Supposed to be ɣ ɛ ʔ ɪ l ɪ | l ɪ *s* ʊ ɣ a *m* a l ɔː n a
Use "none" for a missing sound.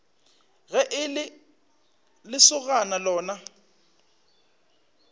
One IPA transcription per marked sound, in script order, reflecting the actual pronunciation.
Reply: s, n

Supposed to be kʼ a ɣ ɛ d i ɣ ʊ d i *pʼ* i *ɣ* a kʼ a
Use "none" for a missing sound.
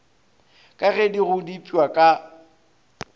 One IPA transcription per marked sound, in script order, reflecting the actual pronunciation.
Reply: pʼ, w

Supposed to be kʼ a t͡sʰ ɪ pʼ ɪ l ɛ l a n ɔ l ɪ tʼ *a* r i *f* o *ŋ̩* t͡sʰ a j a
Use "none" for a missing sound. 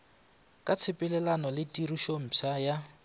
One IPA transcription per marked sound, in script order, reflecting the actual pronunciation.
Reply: i, ʃ, m̩

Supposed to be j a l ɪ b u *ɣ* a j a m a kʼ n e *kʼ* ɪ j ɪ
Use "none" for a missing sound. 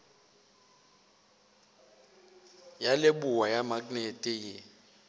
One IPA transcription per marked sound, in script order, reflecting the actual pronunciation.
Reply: w, tʼ

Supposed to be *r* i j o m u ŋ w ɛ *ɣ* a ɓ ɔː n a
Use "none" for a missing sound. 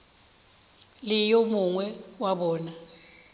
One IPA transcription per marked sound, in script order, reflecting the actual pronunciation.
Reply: l, w

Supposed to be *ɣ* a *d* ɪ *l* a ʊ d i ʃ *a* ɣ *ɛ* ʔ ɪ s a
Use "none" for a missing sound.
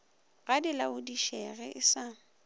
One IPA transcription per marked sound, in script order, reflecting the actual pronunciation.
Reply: ɣ, d, l, ɛ, ɛ

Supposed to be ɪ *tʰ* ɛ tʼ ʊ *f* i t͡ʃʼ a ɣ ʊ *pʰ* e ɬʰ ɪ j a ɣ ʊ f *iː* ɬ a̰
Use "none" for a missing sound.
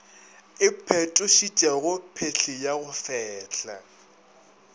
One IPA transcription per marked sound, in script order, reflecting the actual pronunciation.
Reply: pʰ, ʃ, pʰ, ɛː

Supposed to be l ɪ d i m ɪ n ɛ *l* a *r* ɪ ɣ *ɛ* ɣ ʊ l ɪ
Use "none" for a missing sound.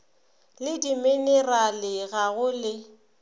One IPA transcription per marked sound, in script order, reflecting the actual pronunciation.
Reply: r, l, a

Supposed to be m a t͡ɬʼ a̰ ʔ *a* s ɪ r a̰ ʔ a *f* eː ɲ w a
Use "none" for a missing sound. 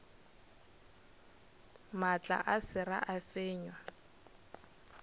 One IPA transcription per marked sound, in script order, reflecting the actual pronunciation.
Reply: a, f

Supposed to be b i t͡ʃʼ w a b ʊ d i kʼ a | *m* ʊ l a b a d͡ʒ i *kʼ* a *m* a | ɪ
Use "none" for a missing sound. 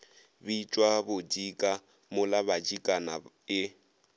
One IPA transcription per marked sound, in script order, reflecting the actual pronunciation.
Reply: m, kʼ, n

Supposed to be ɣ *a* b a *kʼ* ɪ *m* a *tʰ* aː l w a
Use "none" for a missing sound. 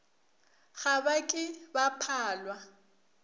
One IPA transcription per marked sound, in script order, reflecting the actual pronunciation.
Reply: a, kʼ, b, pʰ

